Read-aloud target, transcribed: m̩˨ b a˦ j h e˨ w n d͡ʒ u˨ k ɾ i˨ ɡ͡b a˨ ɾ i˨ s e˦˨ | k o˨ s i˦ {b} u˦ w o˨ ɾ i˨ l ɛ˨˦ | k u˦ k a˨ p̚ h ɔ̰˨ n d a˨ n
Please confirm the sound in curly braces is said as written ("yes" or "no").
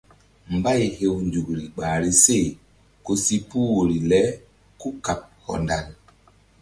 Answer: no